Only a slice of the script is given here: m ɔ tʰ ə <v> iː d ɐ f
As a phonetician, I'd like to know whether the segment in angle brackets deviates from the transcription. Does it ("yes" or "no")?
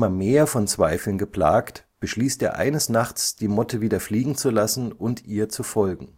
no